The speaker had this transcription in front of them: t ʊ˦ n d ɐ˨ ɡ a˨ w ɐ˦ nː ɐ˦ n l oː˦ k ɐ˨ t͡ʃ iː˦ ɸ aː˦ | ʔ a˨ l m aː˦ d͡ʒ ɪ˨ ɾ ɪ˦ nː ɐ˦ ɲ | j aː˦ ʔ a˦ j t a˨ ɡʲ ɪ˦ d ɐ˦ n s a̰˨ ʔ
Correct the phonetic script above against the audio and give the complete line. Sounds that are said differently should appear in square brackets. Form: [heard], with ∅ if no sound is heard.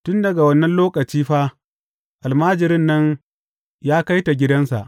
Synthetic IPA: t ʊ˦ n d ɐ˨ ɡ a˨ w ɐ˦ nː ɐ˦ n l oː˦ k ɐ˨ t͡ʃ iː˦ ɸ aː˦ | ʔ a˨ l m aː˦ d͡ʒ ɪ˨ ɾ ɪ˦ nː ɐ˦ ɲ | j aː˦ [k] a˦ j t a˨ ɡʲ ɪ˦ d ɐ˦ n s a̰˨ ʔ